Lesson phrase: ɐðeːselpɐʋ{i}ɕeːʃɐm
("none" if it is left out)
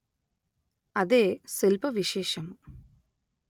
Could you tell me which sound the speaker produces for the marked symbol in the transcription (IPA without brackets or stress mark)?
i